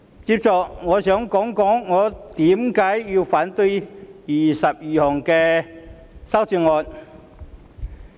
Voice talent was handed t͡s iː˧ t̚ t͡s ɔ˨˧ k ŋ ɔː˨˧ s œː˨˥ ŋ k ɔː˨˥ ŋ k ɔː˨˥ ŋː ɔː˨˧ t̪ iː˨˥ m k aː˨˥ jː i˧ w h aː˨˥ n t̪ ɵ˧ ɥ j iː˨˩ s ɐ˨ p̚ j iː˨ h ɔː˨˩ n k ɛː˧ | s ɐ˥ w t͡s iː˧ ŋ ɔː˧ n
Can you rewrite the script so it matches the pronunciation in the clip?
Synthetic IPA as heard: t͡s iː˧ p̚ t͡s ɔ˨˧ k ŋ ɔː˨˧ s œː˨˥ ŋ k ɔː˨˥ ŋ k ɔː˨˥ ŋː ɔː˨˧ t̪ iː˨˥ m k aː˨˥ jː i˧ w f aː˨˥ n t̪ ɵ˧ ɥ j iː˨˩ s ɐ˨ p̚ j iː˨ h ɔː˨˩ ŋ k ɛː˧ | s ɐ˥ w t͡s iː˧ ŋ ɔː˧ n